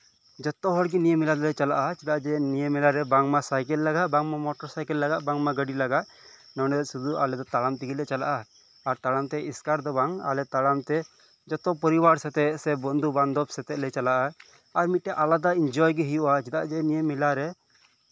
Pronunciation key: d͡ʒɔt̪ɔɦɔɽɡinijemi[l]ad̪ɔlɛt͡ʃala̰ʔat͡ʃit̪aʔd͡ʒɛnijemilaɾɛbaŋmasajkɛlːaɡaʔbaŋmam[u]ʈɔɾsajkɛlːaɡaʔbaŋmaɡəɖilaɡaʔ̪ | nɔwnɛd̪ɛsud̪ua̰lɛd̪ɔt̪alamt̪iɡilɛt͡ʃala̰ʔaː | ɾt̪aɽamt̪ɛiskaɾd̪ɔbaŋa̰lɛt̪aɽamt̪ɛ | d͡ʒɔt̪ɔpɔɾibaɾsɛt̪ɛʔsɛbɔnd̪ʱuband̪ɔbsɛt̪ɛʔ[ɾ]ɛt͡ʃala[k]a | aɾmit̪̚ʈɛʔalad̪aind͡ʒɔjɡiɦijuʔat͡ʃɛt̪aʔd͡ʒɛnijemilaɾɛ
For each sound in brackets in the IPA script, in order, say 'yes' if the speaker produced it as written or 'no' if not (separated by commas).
yes, no, no, no